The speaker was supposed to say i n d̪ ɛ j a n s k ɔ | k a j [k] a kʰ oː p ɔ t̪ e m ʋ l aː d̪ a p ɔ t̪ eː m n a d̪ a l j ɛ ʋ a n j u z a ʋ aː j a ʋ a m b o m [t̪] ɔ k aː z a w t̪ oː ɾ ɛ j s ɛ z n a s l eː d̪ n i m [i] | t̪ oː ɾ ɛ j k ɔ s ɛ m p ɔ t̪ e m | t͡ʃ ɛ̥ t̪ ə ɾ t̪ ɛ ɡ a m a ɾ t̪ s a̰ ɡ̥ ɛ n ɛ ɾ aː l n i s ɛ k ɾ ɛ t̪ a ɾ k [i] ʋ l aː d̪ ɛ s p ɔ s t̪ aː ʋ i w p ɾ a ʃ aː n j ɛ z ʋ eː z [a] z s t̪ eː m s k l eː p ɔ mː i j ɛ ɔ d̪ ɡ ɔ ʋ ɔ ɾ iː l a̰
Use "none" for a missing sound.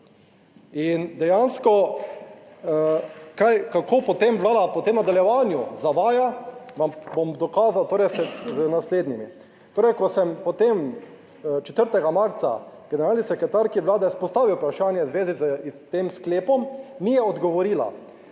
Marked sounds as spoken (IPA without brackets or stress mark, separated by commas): k, d̪, i, i, i